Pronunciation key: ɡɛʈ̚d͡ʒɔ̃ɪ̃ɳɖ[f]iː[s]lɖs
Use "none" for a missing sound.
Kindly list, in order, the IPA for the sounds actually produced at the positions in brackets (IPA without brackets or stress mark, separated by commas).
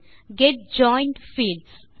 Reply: f, none